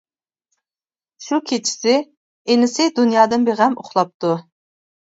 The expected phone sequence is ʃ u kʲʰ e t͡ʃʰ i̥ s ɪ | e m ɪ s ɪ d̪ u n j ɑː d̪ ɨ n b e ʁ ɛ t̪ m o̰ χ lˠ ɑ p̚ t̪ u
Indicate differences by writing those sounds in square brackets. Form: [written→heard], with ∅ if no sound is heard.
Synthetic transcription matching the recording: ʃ u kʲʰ e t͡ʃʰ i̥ s ɪ | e [m→n] ɪ s ɪ d̪ u n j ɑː d̪ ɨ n b e ʁ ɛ [t̪→∅] m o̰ χ lˠ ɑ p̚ t̪ u